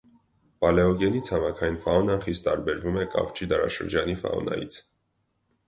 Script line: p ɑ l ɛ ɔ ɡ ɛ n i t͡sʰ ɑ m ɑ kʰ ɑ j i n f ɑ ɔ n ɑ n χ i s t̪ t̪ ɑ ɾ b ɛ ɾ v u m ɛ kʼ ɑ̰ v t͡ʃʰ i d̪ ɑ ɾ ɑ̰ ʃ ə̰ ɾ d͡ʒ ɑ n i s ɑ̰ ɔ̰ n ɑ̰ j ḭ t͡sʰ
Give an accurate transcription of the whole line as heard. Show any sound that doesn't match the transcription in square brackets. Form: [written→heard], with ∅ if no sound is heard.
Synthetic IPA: p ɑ l ɛ ɔ ɡ ɛ n i t͡sʰ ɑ m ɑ kʰ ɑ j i n f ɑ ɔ n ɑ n χ i s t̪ t̪ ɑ ɾ b ɛ ɾ v u m ɛ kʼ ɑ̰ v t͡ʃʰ i d̪ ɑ ɾ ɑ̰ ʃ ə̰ ɾ d͡ʒ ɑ n i [s→f] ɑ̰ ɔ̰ n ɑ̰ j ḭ t͡sʰ